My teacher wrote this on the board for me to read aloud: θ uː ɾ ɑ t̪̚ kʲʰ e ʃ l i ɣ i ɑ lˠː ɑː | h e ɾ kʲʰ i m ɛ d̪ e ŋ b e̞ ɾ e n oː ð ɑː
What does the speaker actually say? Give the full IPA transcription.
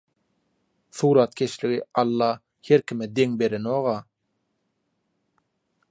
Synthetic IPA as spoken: θ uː ɾ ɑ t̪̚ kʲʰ e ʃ l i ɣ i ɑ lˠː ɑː | h e ɾ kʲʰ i m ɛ d̪ e ŋ b e̞ ɾ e n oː ʁ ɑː

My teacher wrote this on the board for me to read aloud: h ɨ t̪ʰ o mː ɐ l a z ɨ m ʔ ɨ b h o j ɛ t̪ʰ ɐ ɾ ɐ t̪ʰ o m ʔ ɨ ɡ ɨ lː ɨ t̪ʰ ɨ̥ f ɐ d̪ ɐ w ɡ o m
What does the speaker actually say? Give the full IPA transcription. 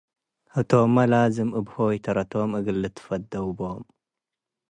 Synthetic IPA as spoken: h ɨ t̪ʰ o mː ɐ l a z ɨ m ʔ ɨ b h o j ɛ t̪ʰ ɐ ɾ ɐ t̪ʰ o m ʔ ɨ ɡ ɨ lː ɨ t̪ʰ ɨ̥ f ɐ d̪ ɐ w b o m

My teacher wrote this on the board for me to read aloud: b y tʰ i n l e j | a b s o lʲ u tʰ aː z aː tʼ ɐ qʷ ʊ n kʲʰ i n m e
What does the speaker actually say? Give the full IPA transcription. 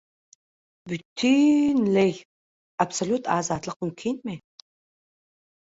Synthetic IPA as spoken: b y tʰ i n l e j | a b s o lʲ u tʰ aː z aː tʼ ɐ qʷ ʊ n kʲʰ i n m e

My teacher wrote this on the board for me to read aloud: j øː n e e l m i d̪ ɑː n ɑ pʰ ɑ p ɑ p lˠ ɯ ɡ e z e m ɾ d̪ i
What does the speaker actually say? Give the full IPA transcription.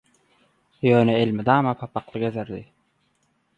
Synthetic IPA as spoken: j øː n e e l m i d̪ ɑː m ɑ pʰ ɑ p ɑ q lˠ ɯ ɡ e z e ɾ d̪ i

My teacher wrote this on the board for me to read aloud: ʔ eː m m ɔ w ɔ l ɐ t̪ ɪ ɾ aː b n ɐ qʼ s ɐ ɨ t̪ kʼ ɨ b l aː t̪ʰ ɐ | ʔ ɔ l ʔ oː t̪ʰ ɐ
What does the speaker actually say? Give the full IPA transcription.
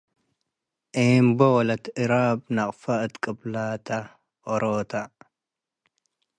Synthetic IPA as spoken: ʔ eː m b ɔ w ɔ l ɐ t̪ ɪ ɾ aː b n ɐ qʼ f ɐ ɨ t̪ kʼ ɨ b l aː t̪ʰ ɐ | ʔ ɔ ɾ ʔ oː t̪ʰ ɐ

